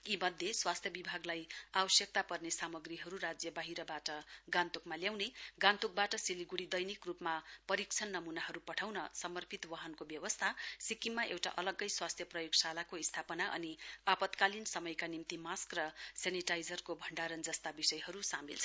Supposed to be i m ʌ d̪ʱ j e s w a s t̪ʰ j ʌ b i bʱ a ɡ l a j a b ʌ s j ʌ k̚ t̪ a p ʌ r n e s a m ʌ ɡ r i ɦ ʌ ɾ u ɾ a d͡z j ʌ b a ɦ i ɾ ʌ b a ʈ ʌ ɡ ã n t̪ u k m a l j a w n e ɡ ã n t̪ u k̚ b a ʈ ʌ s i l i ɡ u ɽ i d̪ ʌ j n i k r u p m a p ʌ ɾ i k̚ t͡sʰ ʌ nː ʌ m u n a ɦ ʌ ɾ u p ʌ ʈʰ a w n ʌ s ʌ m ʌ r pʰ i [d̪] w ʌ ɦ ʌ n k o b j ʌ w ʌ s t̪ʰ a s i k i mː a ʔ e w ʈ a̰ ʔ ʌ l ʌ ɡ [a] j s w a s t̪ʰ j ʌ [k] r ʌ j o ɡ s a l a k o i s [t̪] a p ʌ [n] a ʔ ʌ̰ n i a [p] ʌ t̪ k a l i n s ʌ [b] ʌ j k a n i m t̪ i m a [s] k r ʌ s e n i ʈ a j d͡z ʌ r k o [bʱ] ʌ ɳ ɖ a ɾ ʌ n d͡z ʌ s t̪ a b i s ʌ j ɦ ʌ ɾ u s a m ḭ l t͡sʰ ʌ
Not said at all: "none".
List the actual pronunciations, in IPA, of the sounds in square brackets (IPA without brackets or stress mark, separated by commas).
t̪, ʌ, p, t̪ʰ, n, p, m, s, bʱ